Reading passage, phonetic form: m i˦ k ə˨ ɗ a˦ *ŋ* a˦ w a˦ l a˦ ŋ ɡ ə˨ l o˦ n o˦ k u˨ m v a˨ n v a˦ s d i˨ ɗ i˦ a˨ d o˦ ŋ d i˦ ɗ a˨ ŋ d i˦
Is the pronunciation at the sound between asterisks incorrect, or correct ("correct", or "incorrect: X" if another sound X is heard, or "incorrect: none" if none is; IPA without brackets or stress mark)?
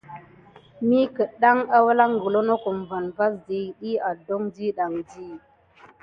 correct